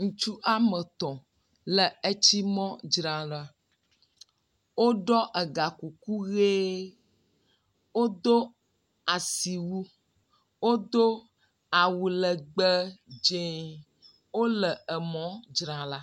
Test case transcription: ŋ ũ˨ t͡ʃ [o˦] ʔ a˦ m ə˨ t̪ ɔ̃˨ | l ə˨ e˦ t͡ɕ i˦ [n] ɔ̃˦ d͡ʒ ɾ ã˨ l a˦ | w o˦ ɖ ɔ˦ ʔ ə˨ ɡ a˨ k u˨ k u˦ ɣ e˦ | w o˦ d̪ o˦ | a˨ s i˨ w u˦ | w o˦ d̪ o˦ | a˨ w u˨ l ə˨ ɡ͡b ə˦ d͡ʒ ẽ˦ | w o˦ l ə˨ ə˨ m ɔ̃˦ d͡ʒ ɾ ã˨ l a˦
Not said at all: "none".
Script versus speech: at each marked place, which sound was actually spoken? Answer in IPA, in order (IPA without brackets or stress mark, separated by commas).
u˦, m